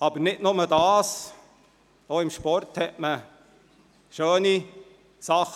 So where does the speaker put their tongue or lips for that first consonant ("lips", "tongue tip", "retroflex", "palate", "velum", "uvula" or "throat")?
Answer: lips